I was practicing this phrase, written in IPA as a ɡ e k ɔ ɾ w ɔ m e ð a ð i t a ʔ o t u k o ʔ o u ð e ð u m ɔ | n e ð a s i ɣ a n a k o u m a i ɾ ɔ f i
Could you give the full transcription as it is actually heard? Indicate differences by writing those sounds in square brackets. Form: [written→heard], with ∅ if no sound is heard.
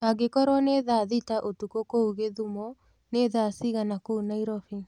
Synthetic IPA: a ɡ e k ɔ ɾ w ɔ [m→n] e ð a ð i t a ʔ o t u k o [ʔ→k] o u [ð→ɣ] e ð u m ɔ | n e ð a s i ɣ a n a k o u [m→n] a i ɾ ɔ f i